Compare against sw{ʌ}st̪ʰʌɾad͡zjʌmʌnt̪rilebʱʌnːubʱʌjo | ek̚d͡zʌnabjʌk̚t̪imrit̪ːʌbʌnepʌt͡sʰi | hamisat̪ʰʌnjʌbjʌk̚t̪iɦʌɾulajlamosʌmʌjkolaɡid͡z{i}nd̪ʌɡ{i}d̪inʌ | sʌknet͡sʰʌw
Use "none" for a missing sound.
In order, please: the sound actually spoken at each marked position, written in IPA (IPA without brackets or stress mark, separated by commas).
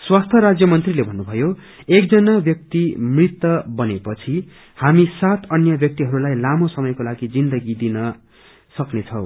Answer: a, i, i